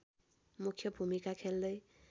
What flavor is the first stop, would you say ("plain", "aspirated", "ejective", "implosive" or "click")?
aspirated